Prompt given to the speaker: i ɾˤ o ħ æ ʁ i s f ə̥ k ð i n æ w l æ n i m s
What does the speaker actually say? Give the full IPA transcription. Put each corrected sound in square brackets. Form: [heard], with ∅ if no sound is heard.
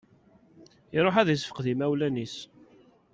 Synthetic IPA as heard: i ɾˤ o ħ æ [ð] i s f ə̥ [q] ð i [m] æ w l æ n i [∅] s